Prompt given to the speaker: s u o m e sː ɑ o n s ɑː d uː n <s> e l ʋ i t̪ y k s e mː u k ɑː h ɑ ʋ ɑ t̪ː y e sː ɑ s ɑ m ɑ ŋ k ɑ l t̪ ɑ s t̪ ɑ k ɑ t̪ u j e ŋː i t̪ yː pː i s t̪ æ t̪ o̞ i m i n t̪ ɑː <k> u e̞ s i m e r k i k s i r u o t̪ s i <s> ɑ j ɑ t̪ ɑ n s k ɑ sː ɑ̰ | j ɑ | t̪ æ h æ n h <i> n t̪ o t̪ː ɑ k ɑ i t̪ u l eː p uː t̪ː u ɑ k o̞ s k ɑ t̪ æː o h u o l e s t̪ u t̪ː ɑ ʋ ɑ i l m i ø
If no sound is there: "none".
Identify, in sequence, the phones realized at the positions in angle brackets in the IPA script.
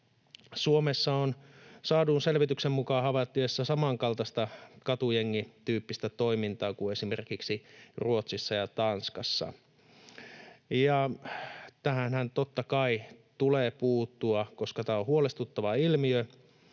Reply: s, k, sː, æ

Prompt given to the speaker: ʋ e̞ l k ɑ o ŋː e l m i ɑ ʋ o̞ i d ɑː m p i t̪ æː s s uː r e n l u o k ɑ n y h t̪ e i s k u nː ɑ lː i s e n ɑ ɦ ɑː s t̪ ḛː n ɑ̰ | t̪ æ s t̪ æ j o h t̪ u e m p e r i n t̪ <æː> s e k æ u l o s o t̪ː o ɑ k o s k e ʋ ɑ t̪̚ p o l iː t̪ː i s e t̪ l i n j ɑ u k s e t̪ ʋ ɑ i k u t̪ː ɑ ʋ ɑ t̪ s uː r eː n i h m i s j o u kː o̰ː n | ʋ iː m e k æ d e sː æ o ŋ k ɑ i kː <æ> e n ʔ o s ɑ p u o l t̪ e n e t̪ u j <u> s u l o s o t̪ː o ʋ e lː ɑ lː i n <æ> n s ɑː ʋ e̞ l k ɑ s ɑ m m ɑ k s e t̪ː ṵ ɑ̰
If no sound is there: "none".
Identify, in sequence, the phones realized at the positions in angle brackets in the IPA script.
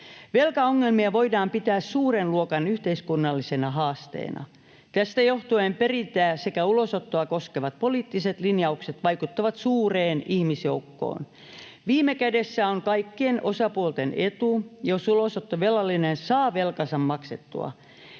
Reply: æː, i, o, e

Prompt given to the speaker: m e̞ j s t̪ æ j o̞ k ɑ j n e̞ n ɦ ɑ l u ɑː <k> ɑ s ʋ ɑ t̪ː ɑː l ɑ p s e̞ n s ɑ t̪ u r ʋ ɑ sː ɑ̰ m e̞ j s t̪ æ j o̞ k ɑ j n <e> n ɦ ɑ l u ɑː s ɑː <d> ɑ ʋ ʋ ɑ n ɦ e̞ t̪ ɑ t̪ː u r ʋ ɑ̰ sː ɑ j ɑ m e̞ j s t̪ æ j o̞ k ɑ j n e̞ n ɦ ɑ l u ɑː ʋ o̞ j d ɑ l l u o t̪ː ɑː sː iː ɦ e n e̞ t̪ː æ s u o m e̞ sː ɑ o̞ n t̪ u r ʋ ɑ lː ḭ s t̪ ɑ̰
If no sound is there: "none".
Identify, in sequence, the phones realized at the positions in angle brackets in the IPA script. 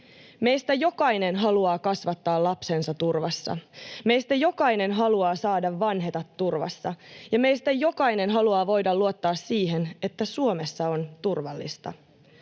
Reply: k, e, d

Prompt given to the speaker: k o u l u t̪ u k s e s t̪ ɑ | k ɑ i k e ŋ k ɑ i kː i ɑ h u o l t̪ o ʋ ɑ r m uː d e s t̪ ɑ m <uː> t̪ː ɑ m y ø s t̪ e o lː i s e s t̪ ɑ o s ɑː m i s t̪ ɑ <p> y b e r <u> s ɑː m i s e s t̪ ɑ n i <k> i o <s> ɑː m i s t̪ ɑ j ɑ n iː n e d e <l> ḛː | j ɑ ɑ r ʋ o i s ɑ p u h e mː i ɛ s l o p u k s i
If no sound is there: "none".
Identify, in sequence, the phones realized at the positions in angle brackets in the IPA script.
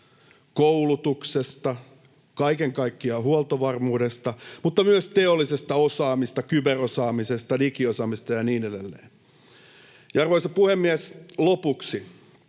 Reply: u, k, o, k, s, lː

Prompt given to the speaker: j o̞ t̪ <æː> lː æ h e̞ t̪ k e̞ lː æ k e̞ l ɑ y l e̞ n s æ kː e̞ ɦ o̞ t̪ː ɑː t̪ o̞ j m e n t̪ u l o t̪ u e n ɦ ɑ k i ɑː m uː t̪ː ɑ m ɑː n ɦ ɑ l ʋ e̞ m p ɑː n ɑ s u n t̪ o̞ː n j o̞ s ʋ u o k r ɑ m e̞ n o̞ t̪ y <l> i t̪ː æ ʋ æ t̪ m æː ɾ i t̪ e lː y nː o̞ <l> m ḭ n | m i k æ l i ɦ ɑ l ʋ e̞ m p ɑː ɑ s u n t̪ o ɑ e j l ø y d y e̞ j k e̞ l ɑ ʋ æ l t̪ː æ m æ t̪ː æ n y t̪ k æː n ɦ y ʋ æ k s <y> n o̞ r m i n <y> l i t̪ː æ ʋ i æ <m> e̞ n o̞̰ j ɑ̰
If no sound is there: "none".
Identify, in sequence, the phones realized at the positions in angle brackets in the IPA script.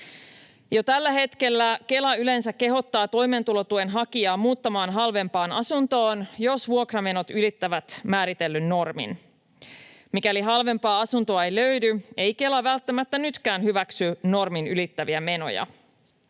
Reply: æ, l, r, y, y, m

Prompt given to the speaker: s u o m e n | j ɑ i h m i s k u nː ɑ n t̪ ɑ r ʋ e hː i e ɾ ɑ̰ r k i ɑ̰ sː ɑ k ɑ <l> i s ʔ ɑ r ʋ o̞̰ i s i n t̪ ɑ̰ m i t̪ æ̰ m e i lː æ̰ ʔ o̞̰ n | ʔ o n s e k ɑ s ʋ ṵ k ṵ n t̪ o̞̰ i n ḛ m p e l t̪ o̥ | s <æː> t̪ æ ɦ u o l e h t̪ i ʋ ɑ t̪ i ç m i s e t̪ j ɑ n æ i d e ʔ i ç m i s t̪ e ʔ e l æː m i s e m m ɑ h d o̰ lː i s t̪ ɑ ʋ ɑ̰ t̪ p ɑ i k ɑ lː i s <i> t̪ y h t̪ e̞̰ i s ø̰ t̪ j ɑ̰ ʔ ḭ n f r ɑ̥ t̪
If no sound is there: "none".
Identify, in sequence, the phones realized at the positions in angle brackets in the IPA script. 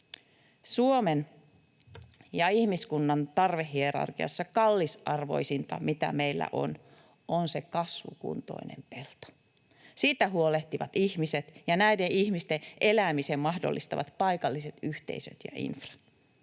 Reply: lː, iː, e

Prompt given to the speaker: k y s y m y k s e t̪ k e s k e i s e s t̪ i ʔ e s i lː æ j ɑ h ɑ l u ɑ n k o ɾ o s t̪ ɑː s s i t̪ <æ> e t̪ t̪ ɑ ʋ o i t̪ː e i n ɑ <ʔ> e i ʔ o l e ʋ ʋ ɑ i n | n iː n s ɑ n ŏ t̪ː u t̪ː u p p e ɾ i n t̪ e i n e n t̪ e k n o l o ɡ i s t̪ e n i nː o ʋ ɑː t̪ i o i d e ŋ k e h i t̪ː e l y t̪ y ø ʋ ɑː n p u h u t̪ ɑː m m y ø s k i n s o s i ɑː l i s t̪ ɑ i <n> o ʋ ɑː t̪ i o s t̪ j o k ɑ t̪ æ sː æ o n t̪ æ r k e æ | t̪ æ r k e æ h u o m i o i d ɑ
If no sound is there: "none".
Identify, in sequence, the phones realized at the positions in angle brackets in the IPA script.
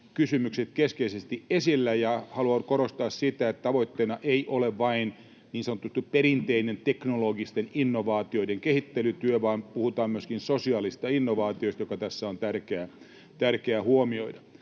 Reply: æ, ʔ, nː

